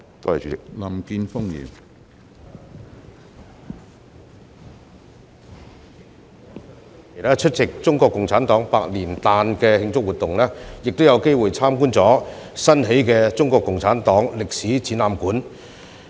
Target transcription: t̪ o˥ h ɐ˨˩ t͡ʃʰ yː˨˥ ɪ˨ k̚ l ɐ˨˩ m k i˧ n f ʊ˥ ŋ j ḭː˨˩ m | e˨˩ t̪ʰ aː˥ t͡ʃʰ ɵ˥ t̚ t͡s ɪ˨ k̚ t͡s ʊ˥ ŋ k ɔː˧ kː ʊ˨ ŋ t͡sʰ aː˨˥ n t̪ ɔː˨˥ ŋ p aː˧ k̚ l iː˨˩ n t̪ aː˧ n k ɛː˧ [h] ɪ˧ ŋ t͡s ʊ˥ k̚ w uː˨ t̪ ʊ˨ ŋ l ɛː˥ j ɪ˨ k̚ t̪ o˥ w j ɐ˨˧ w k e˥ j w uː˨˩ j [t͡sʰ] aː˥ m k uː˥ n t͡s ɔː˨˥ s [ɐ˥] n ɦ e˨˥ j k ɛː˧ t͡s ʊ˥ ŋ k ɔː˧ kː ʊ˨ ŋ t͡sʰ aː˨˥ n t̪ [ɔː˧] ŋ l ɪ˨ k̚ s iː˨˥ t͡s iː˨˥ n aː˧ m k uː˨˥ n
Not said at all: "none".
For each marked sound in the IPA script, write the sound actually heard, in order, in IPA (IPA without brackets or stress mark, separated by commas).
h, t͡sʰ, ɐ˥, ɔː˨˥